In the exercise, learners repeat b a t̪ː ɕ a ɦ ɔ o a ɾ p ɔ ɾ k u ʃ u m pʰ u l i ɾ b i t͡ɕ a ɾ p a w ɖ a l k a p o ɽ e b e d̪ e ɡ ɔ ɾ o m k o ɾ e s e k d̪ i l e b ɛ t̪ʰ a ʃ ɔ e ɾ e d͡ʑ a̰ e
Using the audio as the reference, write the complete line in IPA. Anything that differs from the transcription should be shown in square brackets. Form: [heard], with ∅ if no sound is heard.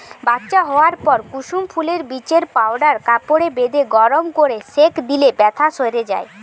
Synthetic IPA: b a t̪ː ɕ a ɦ ɔ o a ɾ p ɔ ɾ k u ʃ u m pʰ u l [e] ɾ b i t͡ɕ [e] ɾ p a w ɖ a [ɾ] k a p o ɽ e b e d̪ e ɡ ɔ ɾ o m k o ɾ e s e k d̪ i l e b ɛ t̪ʰ a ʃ [o] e ɾ e d͡ʑ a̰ e